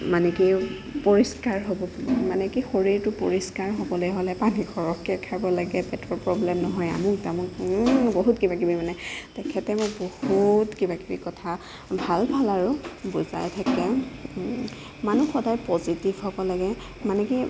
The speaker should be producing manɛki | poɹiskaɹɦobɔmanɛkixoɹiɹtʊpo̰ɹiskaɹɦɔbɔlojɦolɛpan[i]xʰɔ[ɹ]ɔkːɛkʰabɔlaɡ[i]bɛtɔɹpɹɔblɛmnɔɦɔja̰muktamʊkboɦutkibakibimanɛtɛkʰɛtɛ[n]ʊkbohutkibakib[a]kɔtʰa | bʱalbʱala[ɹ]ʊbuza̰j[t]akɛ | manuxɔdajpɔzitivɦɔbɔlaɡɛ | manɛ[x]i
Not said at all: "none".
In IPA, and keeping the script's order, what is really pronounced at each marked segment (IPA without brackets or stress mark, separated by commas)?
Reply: i, ɹ, ɛ, m, i, ɹ, tʰ, k